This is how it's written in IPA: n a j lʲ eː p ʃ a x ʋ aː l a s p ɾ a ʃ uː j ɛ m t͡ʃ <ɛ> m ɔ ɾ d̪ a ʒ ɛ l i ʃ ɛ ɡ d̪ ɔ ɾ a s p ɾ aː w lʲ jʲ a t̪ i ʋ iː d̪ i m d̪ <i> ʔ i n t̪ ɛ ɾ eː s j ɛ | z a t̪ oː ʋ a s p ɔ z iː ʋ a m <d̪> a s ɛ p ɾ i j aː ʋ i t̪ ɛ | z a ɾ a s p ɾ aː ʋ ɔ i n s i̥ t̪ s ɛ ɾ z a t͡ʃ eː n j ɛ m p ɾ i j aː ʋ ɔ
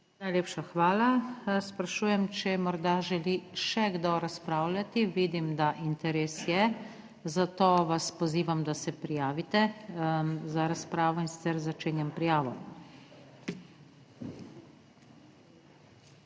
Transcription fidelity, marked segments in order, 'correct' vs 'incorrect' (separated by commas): correct, incorrect, correct